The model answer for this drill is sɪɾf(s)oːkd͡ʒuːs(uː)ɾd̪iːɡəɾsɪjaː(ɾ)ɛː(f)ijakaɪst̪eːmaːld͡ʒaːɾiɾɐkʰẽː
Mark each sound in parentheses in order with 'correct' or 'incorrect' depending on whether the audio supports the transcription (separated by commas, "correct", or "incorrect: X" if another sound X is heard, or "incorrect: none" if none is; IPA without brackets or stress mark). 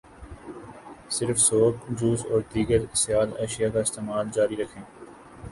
correct, incorrect: ɔː, incorrect: l, incorrect: ʃ